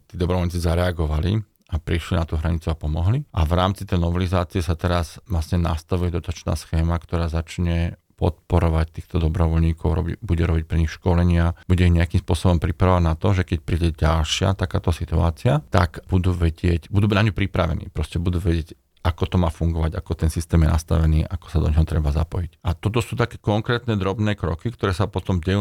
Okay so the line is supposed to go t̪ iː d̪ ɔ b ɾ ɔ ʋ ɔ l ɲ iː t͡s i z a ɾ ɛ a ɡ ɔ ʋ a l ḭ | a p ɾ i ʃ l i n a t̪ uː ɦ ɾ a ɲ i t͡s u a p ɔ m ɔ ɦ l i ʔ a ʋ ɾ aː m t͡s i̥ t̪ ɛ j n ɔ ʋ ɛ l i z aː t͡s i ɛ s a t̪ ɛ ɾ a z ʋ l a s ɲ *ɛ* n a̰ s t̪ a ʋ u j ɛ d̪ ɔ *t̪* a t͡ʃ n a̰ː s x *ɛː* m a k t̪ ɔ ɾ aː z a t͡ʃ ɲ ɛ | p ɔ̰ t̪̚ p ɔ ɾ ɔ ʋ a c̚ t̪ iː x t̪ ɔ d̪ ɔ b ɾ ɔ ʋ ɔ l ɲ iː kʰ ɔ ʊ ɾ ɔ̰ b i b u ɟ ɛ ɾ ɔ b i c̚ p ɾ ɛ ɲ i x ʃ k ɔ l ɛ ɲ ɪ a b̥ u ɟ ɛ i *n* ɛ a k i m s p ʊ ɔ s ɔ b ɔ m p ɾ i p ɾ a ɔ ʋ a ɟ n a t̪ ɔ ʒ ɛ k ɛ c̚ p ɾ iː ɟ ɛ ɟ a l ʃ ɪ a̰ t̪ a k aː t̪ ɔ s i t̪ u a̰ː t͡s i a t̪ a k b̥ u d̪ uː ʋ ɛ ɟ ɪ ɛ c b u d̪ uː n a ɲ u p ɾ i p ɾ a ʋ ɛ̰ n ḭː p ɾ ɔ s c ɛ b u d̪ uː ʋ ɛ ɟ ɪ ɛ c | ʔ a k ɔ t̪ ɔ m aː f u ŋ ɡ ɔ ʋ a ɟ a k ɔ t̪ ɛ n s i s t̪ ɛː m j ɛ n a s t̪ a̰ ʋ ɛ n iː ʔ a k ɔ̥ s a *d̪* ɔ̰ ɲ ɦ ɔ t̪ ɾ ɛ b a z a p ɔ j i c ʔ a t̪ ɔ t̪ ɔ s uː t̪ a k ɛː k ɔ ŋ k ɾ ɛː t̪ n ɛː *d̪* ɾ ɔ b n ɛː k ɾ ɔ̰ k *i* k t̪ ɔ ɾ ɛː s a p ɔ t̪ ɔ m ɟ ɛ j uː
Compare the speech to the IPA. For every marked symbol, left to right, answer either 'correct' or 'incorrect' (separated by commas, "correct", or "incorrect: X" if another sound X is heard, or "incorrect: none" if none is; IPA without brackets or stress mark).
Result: correct, correct, correct, incorrect: ɲ, correct, correct, correct